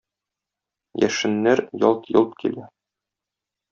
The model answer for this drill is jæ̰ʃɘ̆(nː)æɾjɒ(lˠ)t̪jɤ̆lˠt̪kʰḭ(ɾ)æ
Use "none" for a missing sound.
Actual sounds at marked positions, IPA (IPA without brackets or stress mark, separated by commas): nː, lˠ, l